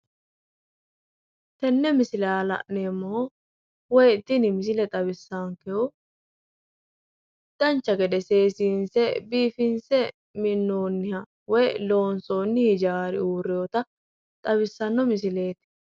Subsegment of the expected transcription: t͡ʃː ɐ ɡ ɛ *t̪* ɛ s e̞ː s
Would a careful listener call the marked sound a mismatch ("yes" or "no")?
yes